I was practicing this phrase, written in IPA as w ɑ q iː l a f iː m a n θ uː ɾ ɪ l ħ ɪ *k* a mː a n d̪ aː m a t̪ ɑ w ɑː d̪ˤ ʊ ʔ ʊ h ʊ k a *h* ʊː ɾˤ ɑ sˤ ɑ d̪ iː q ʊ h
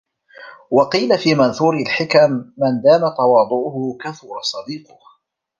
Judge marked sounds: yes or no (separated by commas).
yes, no